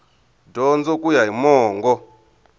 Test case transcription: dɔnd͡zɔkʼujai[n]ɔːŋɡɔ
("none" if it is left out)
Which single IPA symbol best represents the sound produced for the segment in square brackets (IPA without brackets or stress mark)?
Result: m